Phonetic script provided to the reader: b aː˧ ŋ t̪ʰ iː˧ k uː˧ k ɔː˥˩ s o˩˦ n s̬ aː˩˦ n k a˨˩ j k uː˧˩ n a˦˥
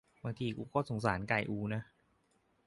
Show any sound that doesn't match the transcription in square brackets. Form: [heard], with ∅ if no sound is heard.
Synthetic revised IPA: b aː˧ ŋ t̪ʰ iː˧ k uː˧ k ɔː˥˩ s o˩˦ [ŋ] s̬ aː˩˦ n k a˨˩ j [ʔ] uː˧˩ n a˦˥